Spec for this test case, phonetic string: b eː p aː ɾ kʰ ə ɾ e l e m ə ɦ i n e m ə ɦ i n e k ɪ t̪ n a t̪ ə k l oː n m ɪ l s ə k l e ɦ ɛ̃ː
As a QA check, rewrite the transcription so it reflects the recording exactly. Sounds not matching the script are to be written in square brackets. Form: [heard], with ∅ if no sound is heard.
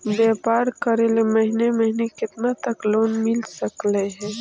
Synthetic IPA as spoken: b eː p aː ɾ [k] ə ɾ e l e m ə ɦ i n e m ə ɦ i n e k ɪ t̪ n a t̪ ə k l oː n m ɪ l s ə k l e ɦ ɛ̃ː